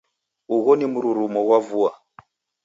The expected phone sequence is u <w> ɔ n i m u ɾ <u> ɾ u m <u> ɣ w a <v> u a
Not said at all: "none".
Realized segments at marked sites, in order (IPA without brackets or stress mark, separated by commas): ɣ, u, ɔ, v